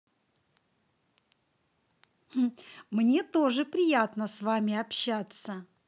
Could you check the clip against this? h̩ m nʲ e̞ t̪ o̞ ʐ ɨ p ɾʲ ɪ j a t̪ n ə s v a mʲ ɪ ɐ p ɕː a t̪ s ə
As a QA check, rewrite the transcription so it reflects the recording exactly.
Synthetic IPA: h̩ m nʲ e̞ t̪ o̞ ʐ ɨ p ɾʲ ɪ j a t̪ n ə s v a mʲ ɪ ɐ p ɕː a t̪ s ə